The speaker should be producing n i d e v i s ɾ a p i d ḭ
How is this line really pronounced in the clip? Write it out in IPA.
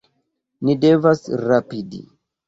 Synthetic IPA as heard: n i d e v a s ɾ a p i d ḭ